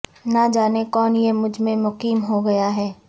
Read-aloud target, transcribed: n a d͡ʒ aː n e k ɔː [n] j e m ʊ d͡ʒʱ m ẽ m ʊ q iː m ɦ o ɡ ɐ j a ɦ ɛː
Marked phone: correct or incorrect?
correct